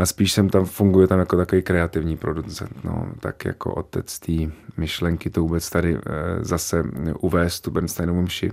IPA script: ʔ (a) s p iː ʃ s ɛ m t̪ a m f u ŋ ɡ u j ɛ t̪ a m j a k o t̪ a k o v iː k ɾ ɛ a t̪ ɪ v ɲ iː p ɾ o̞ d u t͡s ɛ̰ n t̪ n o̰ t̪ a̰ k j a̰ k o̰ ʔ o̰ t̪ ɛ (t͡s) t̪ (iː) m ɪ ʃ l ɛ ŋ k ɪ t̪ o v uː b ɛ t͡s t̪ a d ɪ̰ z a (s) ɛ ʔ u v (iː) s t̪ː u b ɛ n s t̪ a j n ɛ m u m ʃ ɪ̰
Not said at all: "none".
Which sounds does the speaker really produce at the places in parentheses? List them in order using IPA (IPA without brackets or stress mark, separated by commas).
a, t͡s, iː, s, ɛː